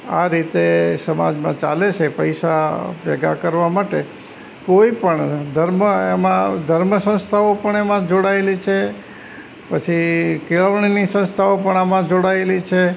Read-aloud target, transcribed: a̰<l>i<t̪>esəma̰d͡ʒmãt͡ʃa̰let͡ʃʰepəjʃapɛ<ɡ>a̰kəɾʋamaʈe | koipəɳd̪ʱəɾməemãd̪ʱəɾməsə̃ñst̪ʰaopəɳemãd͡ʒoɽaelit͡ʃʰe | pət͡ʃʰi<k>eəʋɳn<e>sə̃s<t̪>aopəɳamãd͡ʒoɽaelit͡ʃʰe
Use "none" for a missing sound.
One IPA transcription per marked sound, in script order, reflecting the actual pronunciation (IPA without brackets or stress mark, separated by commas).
ɾ, t̪, ɡ, k, i, t̪ʰ